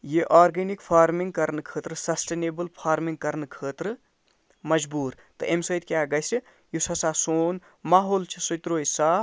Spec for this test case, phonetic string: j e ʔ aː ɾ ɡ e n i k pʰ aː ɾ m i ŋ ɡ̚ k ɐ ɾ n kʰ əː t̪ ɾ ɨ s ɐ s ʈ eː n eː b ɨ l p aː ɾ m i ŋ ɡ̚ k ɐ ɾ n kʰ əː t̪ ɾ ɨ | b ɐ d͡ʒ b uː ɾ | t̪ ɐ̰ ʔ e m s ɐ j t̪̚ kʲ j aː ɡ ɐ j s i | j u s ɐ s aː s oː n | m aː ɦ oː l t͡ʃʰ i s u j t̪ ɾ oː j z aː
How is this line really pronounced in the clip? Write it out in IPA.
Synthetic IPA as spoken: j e ʔ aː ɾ ɡ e n i k pʰ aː ɾ m i ŋ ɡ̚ k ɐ ɾ n kʰ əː t̪ ɾ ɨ s ɐ s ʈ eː n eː b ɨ l pʰ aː ɾ m i ŋ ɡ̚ k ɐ ɾ n kʰ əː t̪ ɾ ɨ | m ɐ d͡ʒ b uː ɾ | t̪ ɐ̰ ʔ e m s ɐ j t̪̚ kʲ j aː ɡ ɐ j s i | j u s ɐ s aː s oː n | m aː ɦ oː l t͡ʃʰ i s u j t̪ ɾ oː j s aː